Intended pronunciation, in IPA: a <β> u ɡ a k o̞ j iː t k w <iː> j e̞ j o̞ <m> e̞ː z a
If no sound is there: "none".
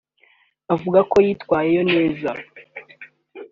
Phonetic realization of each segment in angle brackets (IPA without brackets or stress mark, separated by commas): v, aː, n